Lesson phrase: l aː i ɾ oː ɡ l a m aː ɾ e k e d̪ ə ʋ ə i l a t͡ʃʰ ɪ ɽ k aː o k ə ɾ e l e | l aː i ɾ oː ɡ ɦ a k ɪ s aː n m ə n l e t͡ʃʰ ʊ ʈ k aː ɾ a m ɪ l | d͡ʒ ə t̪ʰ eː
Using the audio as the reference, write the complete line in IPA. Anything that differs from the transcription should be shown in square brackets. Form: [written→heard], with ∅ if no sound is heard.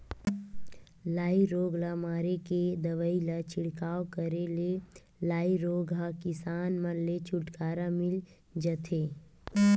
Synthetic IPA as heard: l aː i ɾ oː ɡ l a m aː ɾ e k e d̪ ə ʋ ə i l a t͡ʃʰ ɪ ɽ k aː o k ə ɾ e l e | l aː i ɾ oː ɡ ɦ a k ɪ s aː n m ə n l e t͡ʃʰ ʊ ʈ k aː ɾ a m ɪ l | d͡ʒ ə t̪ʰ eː